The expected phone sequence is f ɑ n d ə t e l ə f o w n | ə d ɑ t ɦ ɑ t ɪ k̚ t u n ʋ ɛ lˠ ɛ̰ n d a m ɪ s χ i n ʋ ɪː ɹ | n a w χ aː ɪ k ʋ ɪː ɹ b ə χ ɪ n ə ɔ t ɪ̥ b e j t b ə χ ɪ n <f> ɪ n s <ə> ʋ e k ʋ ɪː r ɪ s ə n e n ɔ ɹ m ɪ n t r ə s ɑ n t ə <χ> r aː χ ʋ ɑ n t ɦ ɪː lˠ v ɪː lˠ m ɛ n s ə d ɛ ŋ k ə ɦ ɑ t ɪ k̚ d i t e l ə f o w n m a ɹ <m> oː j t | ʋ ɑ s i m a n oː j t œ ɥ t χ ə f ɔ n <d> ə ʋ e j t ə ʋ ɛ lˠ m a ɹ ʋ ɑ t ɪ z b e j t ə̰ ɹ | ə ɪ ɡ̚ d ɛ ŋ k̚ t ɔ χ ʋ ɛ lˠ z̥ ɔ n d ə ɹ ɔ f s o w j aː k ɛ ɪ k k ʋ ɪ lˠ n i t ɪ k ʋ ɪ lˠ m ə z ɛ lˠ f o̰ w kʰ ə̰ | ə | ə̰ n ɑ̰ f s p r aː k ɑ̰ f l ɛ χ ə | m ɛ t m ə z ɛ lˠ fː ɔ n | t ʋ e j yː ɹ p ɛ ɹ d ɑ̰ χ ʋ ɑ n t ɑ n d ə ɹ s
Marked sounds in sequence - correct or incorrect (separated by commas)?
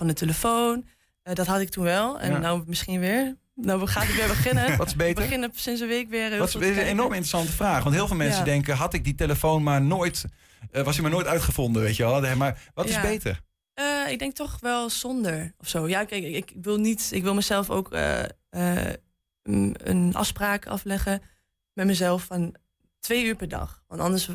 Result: incorrect, correct, incorrect, incorrect, correct